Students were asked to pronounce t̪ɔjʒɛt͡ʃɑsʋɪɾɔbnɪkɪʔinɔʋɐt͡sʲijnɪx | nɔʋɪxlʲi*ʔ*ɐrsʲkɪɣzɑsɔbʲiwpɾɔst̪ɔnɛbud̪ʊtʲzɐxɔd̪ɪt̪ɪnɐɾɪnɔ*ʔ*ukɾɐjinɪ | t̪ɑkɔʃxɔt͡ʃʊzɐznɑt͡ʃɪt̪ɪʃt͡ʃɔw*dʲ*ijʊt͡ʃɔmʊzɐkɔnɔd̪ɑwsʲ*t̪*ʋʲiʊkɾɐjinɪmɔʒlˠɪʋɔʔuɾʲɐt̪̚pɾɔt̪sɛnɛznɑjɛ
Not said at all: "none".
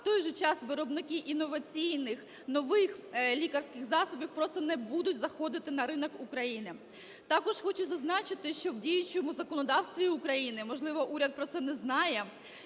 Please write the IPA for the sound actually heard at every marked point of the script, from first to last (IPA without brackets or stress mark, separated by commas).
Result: k, k, dʲ, t̪